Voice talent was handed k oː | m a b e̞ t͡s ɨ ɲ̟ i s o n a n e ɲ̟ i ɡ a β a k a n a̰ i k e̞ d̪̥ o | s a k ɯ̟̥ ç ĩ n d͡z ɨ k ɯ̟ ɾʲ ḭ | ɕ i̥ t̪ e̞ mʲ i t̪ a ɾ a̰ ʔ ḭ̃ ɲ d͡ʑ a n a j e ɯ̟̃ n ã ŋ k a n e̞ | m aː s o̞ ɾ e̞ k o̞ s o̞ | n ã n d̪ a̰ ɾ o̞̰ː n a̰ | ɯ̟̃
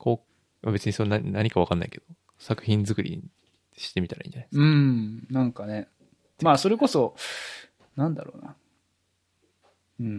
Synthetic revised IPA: k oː | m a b e̞ t͡s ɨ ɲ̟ i s o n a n a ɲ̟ i k a β a k a nː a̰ i k e̞ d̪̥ o | s a k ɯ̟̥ ç ĩ n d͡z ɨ k ɯ̟ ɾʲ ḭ | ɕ i̥ t̪ e̞ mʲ i t̪ a ɾ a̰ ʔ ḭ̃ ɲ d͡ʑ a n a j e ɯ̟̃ n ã ŋ k a n e̞ | m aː s o̞ ɾ e̞ k o̞ s o̞ | n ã n d̪ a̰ ɾ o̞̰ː n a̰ | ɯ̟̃